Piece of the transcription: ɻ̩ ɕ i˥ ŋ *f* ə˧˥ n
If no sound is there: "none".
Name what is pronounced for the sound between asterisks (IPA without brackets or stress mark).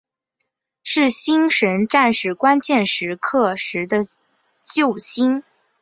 ʂ